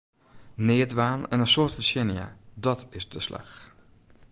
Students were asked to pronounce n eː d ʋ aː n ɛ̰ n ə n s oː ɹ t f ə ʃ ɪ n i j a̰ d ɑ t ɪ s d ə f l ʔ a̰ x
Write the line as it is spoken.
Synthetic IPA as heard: n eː d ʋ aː n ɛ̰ n ə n s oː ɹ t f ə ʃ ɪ n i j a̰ d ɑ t ɪ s d ə s l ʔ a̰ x